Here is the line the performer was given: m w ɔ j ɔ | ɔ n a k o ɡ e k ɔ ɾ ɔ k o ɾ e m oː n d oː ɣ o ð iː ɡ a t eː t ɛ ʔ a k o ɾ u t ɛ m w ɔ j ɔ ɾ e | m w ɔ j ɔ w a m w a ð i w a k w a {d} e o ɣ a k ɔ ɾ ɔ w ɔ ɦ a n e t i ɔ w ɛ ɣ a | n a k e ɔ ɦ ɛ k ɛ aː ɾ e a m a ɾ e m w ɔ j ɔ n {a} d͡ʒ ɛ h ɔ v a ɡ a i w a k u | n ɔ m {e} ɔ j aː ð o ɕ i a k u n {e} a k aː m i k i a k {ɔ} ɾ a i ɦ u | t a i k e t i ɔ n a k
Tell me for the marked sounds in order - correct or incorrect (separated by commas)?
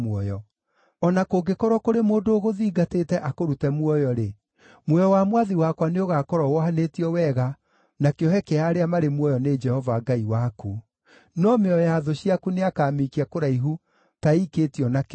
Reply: incorrect, incorrect, correct, correct, incorrect